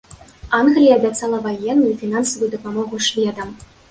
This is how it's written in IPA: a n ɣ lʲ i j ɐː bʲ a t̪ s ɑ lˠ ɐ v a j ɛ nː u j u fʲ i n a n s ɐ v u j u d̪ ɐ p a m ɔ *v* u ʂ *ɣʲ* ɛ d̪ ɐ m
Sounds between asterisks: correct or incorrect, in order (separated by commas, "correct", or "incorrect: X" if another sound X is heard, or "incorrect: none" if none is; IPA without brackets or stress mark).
incorrect: ɣ, incorrect: vʲ